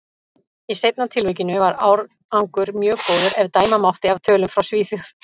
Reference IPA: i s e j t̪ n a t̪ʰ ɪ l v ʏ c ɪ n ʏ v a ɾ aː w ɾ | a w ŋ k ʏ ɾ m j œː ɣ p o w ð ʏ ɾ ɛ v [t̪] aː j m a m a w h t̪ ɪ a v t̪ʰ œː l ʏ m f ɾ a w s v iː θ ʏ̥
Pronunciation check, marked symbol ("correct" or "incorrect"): correct